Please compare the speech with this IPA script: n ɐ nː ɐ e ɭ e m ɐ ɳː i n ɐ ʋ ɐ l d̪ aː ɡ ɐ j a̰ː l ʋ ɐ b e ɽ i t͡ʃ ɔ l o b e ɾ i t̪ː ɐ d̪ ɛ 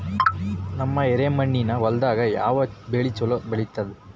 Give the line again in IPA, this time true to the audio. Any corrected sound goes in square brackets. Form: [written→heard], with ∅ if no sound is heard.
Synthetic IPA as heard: n ɐ [nː→mː] ɐ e [ɭ→ɾ] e m ɐ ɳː i n ɐ ʋ ɐ l d̪ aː ɡ ɐ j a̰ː [l→∅] ʋ ɐ b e [ɽ→ɭ] i t͡ʃ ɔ l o b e [ɾ→ɭ] i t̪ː ɐ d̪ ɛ